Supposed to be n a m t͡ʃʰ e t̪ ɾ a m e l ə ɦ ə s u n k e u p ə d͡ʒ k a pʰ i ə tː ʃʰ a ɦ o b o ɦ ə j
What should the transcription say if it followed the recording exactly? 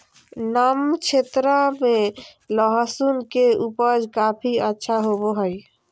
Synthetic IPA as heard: n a m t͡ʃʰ e t̪ ɾ a m e l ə ɦ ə s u n k e u p ə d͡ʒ k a pʰ i ə tː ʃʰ a ɦ o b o ɦ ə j